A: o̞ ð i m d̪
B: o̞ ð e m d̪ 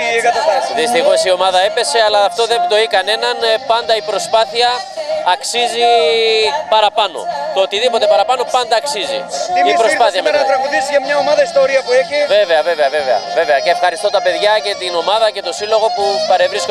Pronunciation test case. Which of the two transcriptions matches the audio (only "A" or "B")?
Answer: B